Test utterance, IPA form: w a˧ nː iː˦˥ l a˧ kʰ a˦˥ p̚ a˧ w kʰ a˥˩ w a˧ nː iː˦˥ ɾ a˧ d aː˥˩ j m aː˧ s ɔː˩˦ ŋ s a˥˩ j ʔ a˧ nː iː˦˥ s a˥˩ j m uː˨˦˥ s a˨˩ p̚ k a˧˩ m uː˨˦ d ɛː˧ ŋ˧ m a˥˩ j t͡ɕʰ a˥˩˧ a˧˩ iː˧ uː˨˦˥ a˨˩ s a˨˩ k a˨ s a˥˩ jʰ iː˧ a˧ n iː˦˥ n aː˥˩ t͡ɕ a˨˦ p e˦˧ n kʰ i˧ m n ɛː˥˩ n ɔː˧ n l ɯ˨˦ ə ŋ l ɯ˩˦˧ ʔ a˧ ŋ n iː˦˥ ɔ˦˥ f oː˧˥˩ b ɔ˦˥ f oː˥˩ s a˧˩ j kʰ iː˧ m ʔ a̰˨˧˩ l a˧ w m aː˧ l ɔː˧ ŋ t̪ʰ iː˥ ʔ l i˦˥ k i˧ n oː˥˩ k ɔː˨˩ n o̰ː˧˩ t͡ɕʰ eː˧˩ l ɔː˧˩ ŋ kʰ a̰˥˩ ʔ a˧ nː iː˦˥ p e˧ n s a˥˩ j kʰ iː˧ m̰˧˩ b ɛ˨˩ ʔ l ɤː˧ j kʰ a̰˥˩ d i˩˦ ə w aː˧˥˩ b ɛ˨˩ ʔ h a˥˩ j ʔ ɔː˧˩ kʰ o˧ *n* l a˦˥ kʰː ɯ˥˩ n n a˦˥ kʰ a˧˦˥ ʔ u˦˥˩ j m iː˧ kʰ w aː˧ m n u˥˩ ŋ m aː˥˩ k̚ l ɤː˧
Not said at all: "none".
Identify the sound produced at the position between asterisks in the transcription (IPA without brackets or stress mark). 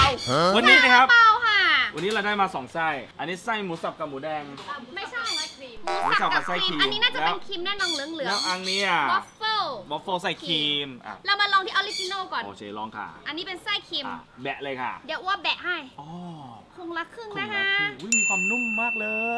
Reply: ŋ